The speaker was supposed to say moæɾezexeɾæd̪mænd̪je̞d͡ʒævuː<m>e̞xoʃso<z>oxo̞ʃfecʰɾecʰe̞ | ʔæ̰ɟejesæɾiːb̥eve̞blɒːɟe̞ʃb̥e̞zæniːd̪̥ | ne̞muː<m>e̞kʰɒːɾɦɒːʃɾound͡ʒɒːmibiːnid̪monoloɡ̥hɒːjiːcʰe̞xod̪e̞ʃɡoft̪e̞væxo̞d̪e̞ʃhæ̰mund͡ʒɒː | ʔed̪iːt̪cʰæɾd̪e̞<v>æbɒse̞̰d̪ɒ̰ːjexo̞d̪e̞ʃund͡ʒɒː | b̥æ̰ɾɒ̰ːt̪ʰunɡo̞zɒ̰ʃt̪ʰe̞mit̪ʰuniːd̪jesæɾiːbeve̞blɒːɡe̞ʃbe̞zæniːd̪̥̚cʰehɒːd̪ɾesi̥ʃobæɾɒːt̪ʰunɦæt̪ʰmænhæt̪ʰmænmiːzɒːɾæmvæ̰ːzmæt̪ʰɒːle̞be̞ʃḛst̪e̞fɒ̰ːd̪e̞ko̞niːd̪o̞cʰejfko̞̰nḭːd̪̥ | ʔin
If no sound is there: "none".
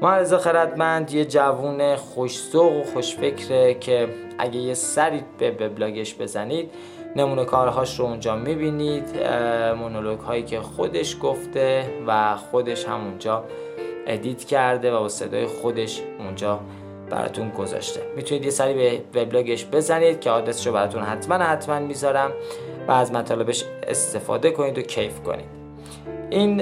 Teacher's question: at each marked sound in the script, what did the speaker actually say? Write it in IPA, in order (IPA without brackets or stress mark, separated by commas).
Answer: n, ɣ, n, v